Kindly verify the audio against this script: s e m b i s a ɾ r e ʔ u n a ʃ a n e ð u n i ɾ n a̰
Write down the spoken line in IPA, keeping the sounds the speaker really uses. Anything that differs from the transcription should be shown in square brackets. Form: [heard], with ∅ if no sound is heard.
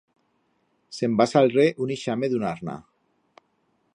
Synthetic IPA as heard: s e m b [a] s a [l] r e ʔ u n [i] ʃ a [m] e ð u n [a] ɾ n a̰

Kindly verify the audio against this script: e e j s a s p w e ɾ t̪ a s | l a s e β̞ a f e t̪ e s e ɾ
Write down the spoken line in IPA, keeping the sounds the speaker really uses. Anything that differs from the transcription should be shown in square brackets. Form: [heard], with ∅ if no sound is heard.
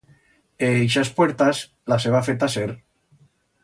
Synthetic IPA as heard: e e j [ʃ] a s p w e ɾ t̪ a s | l a s e β̞ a f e t̪ [a] s e ɾ

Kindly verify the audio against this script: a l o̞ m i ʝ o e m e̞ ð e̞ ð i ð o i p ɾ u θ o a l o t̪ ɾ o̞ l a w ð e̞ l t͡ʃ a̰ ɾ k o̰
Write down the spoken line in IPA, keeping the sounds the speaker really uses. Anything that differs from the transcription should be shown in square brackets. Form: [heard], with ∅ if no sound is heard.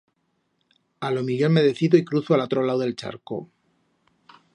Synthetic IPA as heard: a l o̞ m i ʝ o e m e̞ ð e̞ [θ] i ð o i [k] ɾ u θ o a l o t̪ ɾ o̞ l a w ð e̞ l t͡ʃ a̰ ɾ k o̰

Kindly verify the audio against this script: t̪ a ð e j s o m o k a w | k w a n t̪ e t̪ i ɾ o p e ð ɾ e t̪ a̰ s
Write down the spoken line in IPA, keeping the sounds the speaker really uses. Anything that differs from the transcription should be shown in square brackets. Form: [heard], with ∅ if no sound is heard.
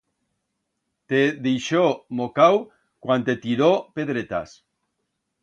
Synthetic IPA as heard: t̪ [e] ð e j [ʃ] o m o k a w | k w a n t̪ e t̪ i ɾ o p e ð ɾ e t̪ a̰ s

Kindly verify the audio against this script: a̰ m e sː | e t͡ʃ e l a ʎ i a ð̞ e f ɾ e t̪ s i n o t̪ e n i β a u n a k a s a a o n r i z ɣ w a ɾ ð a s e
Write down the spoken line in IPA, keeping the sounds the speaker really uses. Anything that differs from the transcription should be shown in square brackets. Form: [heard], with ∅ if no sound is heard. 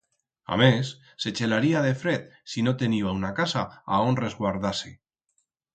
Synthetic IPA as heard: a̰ m e sː | e t͡ʃ e l a [ɾ] i a ð̞ e f ɾ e t̪ s i n o t̪ e n i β a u n a k a s a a o n r [e] z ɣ w a ɾ ð a s e

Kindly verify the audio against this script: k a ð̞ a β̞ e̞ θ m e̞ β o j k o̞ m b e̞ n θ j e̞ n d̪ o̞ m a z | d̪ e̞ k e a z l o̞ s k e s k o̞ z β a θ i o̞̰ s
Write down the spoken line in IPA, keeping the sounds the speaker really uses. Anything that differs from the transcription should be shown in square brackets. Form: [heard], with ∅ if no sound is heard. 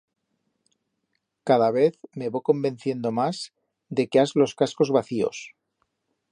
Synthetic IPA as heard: k a ð̞ a β̞ e̞ θ m e̞ β o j k o̞ m b e̞ n θ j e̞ n d̪ o̞ m a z | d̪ e̞ k e a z l o̞ s k [a] s k o̞ z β a θ i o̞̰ s

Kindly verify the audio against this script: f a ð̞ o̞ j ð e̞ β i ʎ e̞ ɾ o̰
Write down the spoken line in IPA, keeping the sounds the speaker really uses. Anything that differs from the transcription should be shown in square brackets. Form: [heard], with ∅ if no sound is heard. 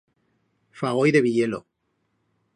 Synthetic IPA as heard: f a [ɣ̞] o̞ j ð e̞ β i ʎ e̞ [l] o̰

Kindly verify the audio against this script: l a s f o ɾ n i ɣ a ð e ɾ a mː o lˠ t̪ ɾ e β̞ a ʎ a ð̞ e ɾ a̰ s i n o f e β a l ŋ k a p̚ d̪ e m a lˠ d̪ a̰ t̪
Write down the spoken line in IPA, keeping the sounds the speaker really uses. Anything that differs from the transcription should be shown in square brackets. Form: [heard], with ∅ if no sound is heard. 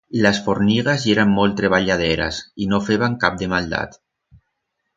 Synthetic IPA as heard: l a s f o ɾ n i ɣ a [z] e ɾ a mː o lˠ t̪ ɾ e β̞ a ʎ a ð̞ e ɾ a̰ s i n o f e β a [∅] ŋ k a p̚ d̪ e m a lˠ d̪ a̰ t̪

